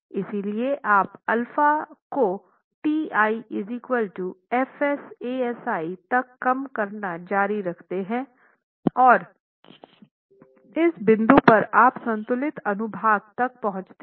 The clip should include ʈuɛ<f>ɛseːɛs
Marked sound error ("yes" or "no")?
no